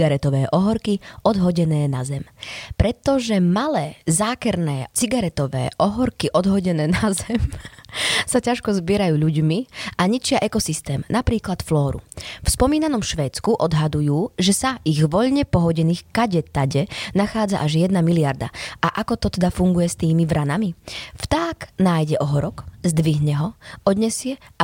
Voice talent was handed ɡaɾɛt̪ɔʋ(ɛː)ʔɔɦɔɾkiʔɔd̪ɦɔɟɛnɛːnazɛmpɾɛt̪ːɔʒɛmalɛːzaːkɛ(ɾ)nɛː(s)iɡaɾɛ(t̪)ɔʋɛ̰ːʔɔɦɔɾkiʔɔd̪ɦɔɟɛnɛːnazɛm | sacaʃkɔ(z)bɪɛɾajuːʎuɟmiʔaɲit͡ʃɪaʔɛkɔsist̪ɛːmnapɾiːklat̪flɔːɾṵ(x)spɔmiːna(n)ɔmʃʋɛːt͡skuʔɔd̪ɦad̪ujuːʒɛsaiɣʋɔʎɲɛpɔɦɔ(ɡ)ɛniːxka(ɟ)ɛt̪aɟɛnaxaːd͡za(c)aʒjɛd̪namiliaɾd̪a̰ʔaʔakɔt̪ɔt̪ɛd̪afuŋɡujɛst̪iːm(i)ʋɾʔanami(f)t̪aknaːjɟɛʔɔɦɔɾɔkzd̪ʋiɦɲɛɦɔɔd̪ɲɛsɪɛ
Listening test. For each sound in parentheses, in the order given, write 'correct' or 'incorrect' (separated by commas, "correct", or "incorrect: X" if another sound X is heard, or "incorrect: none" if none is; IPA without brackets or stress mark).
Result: correct, correct, incorrect: t͡s, correct, correct, incorrect: f, correct, incorrect: ɟ, correct, incorrect: ʔ, correct, correct